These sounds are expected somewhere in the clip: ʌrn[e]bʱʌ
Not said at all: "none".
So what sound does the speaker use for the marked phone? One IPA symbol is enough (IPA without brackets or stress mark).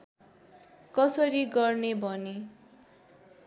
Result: e